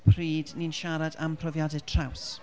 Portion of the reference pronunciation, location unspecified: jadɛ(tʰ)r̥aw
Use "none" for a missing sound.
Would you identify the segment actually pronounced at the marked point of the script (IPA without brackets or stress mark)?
tʰ